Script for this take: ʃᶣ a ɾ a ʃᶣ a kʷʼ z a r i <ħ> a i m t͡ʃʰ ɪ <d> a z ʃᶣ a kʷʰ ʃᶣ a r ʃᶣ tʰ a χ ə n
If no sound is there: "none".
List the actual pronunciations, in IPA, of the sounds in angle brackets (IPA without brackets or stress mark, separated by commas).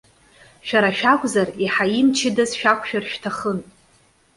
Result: ħ, d